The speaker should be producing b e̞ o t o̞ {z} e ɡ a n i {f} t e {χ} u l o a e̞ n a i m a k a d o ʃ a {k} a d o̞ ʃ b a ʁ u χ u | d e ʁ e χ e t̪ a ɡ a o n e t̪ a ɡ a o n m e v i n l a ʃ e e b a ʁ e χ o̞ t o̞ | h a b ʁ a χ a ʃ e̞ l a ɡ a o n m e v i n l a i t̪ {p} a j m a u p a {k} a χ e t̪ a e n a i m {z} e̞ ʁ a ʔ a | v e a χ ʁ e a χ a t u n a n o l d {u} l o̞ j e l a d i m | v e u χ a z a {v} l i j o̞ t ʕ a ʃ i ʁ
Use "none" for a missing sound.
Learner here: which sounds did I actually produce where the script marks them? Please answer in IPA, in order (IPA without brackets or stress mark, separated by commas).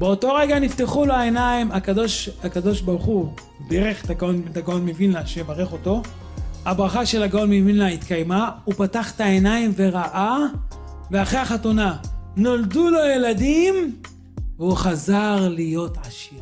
ʁ, f, χ, k, k, t, v, u, ʁ